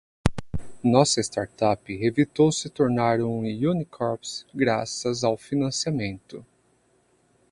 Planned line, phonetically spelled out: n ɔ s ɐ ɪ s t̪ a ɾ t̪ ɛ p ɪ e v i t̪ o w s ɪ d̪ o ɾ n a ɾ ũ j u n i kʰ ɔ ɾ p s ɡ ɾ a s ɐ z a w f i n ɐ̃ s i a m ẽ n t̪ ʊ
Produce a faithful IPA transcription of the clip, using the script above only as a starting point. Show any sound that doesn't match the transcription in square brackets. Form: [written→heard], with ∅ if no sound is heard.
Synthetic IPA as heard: n ɔ s ɐ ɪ s t̪ a ɾ t̪ [ɛ→a] p ɪ e v i t̪ o w s ɪ [d̪→t̪] o ɾ n a ɾ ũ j u n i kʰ ɔ ɾ p s ɡ ɾ a s ɐ z a w f i n ɐ̃ s i a m ẽ n t̪ ʊ